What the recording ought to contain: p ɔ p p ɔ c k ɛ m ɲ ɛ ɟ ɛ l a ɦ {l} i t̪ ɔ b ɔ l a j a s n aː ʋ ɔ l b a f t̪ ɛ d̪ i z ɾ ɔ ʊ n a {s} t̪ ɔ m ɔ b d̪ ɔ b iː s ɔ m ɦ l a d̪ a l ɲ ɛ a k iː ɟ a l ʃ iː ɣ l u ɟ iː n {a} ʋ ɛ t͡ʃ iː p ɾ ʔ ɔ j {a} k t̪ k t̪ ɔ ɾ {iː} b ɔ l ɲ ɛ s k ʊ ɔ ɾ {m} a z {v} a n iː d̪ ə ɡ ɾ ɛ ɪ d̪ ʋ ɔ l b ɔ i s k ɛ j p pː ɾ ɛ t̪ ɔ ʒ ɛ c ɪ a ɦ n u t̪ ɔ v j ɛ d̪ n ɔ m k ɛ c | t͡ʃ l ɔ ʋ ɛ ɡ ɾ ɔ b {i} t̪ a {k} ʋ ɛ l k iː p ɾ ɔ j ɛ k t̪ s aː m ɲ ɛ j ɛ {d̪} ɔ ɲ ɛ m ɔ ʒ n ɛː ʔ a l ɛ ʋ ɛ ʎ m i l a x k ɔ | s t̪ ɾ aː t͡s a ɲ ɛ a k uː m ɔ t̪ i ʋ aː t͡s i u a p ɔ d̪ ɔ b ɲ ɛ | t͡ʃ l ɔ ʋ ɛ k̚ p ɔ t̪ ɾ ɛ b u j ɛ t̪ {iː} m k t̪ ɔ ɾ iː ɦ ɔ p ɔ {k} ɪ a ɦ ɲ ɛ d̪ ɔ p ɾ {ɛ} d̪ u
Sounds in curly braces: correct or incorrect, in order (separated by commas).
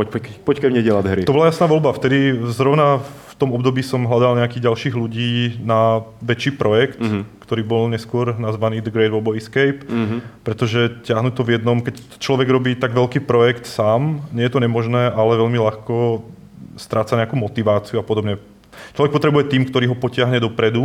incorrect, incorrect, correct, incorrect, correct, incorrect, incorrect, incorrect, incorrect, incorrect, correct, incorrect, correct